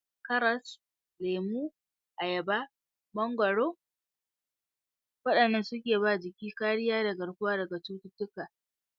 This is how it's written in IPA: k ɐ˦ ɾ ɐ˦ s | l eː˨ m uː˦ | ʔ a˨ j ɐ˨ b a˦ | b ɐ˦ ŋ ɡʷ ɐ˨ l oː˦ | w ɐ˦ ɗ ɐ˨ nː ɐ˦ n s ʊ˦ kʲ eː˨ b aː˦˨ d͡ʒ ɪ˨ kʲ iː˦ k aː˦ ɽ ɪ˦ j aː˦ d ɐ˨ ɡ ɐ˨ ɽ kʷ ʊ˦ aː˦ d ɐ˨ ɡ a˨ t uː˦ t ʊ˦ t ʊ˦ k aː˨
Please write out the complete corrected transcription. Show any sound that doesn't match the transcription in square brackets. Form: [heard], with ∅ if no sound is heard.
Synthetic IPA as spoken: k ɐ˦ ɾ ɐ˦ s | l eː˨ m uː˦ | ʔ a˨ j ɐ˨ b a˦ | b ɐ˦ ŋ ɡʷ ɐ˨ [ɽ] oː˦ | w ɐ˦ ɗ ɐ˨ nː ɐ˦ n s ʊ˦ kʲ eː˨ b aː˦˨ d͡ʒ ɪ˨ kʲ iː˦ k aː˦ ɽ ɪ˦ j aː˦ d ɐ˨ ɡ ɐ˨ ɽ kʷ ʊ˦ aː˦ d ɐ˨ ɡ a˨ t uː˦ t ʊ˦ t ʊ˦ k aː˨